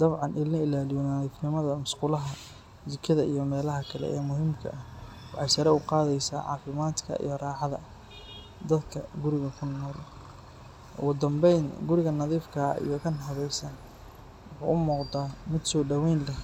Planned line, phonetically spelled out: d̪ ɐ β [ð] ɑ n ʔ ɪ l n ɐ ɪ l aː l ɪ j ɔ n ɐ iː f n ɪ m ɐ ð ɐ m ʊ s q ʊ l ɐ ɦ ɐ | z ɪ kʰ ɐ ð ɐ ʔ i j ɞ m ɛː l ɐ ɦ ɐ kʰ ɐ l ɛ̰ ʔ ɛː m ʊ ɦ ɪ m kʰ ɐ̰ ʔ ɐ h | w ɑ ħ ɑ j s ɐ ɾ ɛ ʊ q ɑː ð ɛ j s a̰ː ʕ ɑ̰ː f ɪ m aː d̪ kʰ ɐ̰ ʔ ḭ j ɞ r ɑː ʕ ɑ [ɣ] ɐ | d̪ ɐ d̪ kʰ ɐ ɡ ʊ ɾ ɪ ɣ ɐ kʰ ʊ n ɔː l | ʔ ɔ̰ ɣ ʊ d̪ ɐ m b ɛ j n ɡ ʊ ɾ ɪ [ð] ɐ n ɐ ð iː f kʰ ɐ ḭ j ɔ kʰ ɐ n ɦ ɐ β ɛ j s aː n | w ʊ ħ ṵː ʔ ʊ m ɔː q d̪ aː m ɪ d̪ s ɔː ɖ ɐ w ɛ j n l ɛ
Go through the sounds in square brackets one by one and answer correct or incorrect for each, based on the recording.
incorrect: ʕ, incorrect: ð, incorrect: ɣ

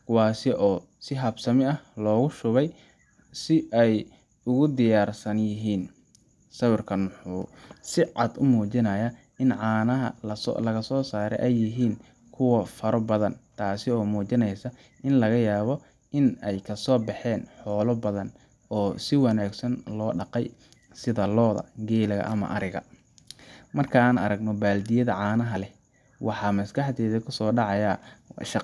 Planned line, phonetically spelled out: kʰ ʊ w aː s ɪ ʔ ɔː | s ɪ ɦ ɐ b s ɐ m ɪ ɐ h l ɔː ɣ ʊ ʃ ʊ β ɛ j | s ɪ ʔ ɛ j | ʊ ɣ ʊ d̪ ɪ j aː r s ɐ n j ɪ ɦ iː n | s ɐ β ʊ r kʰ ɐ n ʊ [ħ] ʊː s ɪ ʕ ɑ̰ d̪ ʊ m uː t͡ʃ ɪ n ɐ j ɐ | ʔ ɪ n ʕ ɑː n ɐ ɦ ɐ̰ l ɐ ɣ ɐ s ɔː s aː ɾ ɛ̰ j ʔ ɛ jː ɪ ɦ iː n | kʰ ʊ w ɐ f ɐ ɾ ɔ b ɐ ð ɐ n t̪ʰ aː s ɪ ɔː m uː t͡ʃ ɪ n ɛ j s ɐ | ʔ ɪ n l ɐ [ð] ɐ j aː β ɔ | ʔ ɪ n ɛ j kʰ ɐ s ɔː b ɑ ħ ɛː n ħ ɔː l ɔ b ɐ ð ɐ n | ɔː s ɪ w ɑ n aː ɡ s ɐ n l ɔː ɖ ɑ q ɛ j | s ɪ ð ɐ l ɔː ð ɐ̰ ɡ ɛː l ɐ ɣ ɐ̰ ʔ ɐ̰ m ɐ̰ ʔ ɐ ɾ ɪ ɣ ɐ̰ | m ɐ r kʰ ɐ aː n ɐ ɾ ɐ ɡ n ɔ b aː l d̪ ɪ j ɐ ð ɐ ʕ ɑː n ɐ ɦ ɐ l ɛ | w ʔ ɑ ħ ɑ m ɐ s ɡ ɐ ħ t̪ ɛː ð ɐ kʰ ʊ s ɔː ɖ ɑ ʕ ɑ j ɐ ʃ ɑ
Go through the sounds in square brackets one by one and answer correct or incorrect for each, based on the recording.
correct, incorrect: ɣ

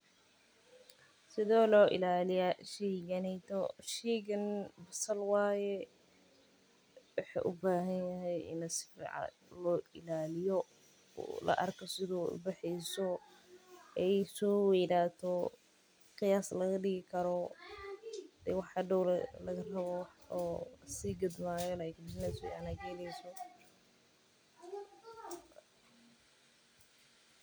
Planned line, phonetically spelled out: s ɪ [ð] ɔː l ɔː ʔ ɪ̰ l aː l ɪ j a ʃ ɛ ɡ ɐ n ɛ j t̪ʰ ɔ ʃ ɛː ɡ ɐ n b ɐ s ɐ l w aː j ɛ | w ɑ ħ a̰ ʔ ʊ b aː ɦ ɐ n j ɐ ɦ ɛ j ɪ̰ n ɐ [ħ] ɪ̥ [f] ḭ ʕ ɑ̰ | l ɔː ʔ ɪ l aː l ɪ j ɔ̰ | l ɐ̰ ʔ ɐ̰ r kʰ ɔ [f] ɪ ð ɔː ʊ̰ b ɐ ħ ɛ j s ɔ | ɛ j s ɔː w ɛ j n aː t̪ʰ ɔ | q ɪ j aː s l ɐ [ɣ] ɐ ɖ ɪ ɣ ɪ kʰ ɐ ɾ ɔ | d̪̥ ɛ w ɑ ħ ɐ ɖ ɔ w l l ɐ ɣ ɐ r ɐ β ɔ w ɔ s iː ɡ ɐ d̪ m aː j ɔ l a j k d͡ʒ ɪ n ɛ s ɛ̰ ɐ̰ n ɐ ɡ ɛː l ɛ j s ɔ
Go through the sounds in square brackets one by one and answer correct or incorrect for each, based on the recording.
correct, incorrect: s, correct, incorrect: s, correct

